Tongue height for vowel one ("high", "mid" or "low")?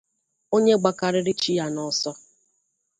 mid